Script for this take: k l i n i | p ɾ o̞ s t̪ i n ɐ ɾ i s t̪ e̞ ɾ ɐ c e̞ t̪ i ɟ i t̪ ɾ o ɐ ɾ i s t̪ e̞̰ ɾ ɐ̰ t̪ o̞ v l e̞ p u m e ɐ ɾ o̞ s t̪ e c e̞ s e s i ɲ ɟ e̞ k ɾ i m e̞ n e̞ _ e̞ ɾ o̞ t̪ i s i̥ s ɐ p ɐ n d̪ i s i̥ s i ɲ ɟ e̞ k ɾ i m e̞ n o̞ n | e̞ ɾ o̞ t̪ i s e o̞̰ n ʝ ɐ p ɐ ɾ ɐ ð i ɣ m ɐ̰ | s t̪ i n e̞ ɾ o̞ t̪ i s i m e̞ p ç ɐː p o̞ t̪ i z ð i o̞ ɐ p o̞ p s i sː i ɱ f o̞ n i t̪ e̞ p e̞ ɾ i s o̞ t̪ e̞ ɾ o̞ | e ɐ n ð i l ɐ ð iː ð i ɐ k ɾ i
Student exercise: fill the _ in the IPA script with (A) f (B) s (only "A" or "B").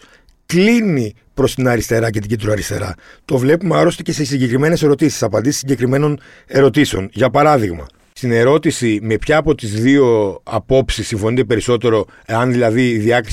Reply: B